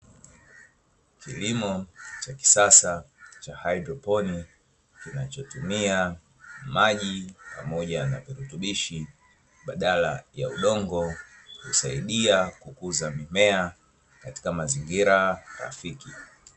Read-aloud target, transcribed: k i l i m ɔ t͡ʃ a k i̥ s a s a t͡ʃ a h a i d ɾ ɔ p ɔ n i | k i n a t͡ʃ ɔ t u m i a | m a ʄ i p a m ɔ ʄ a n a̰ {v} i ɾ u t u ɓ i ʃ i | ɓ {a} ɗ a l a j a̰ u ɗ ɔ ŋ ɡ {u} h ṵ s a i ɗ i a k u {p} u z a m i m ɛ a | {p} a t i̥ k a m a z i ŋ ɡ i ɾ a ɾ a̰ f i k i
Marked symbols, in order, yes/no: yes, yes, no, no, no

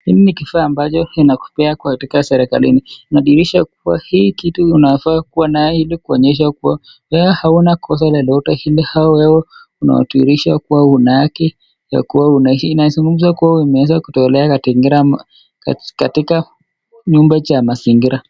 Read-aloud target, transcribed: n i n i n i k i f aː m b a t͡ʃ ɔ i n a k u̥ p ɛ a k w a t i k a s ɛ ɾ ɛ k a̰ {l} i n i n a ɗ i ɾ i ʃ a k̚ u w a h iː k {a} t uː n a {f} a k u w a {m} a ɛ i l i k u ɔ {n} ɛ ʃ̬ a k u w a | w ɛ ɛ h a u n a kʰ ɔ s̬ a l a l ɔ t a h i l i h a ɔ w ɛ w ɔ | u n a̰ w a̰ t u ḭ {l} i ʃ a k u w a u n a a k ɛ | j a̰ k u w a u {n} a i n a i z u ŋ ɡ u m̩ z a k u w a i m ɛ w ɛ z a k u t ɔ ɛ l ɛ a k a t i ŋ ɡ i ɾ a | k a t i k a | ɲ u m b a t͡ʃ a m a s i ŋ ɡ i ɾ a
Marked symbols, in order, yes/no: yes, no, yes, no, no, no, yes

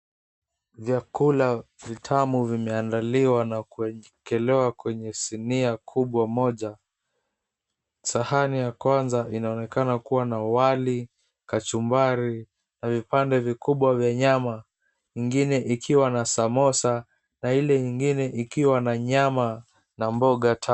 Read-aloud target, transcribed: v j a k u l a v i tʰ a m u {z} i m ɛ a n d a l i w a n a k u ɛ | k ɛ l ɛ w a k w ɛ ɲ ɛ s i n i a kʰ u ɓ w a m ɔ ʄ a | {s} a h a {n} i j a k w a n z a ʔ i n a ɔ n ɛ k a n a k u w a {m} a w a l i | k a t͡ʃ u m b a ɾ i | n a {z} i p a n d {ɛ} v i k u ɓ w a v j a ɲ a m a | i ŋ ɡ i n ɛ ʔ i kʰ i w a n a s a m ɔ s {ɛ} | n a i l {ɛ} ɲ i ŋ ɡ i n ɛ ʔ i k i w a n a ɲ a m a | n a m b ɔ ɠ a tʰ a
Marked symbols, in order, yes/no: no, yes, yes, no, no, yes, no, yes

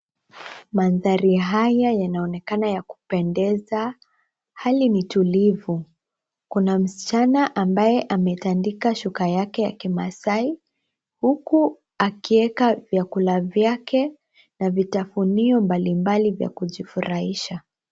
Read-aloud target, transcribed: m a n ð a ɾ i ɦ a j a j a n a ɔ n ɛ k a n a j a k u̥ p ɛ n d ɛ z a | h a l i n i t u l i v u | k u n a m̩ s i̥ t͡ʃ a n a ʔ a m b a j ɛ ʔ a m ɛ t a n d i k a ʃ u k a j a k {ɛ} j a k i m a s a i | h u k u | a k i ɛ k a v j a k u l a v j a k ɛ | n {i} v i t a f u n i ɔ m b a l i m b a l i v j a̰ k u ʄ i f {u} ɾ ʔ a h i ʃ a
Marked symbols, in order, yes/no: yes, no, yes

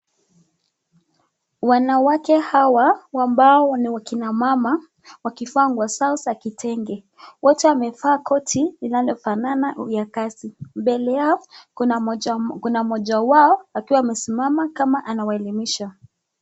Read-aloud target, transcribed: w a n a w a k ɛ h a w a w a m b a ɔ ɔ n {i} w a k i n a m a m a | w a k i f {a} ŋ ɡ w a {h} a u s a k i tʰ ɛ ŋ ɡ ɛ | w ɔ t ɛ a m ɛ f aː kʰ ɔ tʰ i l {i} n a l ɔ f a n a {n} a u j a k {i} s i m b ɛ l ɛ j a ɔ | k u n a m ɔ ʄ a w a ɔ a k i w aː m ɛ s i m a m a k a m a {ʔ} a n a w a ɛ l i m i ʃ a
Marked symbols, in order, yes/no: yes, yes, no, yes, yes, no, yes

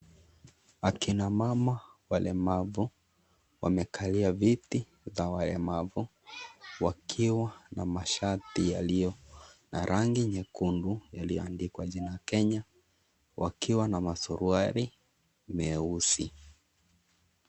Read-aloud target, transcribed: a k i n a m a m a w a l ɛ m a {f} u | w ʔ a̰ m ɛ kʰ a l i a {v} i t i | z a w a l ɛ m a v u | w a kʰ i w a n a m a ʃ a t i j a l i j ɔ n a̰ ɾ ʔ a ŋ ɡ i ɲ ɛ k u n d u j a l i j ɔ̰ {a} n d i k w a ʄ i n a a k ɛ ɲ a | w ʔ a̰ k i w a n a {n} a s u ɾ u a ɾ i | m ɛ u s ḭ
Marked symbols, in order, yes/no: no, yes, yes, no

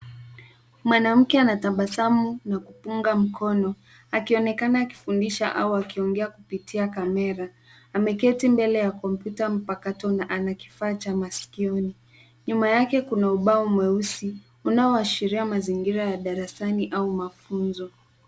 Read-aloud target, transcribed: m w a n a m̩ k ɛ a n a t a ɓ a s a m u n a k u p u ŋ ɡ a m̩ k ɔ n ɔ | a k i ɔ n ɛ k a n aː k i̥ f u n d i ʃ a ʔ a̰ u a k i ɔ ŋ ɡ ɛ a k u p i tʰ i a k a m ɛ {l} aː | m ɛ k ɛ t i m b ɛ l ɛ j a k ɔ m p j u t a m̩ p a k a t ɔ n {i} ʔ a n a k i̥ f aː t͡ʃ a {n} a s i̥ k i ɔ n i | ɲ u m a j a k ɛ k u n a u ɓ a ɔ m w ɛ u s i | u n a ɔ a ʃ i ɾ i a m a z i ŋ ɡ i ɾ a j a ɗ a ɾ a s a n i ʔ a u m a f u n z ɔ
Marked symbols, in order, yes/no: no, no, no

